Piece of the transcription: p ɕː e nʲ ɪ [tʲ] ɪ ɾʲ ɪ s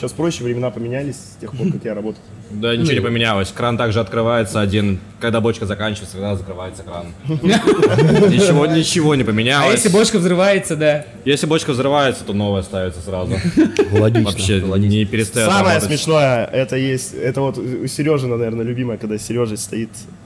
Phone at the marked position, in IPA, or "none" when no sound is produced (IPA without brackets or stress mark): pʲ